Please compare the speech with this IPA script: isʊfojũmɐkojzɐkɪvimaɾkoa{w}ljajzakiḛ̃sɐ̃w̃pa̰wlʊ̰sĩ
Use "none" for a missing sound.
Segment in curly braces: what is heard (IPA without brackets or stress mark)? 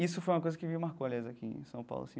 none